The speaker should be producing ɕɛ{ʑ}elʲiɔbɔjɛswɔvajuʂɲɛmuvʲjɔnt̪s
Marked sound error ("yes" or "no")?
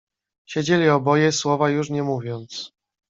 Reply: yes